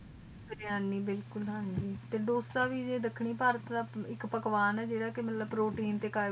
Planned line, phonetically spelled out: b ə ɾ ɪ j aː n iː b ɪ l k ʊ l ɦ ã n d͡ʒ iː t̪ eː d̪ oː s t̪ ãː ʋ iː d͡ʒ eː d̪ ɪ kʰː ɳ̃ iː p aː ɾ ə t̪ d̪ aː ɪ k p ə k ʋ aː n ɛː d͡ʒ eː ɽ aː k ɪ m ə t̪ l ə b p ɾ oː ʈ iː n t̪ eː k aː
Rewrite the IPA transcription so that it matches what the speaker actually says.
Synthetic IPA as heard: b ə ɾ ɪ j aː n iː b ɪ l k ʊ l ɦ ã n d͡ʒ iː t̪ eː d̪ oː s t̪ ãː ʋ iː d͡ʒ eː d̪ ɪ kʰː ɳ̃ iː p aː ɾ ə t̪ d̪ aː ɪ k p ə k ʋ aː n ɛː d͡ʒ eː ɽ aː k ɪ m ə t̪ l ə b p ɾ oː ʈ iː n t̪ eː k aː

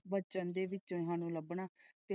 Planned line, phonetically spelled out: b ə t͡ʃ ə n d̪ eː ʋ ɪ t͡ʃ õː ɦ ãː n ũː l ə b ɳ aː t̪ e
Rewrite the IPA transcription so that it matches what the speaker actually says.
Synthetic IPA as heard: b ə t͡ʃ ə n d̪ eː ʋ ɪ t͡ʃ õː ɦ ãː n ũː l ə b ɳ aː t̪ e

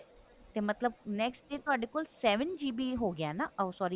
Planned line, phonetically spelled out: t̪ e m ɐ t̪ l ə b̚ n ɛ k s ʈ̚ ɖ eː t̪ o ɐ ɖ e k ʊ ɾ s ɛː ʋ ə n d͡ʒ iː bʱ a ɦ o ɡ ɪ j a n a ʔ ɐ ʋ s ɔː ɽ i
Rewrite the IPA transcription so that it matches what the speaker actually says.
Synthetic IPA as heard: t̪ e m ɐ t̪ l ə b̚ n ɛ k s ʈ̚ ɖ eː t̪ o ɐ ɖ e k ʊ l s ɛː ʋ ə n d͡ʒ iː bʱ i ɦ o ɡ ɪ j a n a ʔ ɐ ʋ s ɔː ɾ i

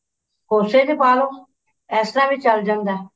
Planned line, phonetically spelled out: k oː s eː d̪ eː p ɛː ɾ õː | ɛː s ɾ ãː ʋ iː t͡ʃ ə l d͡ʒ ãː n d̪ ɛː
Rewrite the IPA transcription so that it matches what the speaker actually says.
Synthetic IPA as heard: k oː s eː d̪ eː p aː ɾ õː | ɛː s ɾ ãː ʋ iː t͡ʃ ə l d͡ʒ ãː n d̪ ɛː

